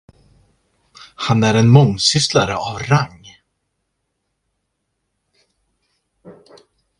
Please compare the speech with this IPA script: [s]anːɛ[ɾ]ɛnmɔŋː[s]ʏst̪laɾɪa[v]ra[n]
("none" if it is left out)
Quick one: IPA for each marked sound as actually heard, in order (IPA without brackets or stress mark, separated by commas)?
h, ɾ, s, v, ŋ